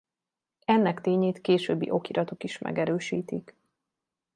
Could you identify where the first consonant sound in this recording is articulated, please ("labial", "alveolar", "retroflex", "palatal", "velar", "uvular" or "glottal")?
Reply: alveolar